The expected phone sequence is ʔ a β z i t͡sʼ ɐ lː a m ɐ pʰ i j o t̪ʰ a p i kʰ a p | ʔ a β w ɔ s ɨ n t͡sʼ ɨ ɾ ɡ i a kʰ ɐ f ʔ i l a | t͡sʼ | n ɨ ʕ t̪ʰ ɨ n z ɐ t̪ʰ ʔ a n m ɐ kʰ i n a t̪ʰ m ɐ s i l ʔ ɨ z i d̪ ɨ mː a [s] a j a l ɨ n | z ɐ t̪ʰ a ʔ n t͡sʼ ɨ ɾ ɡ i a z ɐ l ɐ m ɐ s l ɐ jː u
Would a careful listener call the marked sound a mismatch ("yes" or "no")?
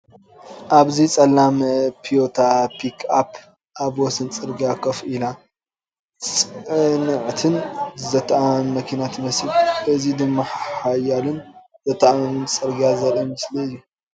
yes